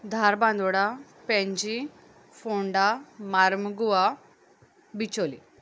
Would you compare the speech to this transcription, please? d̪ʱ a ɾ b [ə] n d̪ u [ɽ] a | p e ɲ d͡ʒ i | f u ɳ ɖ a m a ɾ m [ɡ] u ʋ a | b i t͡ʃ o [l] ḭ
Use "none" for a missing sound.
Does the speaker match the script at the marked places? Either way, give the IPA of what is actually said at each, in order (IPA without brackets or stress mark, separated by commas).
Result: a, ɽ, ɡ, l